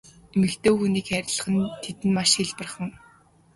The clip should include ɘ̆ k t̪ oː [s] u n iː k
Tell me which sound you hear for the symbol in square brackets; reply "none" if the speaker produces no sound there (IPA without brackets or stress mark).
x